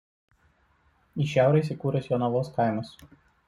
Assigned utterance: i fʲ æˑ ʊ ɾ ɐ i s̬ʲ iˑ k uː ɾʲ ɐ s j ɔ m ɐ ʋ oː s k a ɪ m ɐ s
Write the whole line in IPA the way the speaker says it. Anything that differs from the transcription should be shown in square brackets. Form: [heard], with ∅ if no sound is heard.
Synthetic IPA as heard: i [ʃʲ] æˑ ʊ ɾ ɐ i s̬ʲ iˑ k uː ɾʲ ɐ s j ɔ [n] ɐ ʋ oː s k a ɪ m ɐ s